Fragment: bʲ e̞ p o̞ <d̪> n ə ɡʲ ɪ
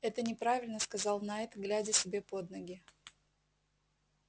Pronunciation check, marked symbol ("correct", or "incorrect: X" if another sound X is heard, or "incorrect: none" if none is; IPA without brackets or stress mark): correct